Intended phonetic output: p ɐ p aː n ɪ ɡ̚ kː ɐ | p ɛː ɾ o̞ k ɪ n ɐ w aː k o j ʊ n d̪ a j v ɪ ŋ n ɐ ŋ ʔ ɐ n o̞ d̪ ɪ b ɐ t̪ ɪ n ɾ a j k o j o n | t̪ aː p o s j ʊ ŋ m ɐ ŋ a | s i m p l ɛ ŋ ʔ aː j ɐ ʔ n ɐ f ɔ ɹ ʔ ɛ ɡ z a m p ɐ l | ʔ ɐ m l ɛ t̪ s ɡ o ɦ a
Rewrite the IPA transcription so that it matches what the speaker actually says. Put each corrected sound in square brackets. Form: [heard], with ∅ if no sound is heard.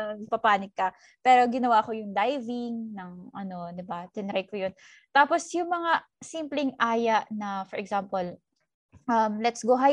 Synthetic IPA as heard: p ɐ p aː n ɪ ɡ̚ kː ɐ | p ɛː ɾ o̞ [ɡ] ɪ n ɐ w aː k o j ʊ [ŋ] d̪ a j v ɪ ŋ n ɐ ŋ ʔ ɐ n o̞ d̪ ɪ b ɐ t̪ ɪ n ɾ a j k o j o n | t̪ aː p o s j ʊ ŋ m ɐ ŋ a | s i m p l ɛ ŋ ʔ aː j ɐ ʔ n ɐ f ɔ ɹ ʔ ɛ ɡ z a m p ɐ l | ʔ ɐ m l ɛ t̪ s ɡ o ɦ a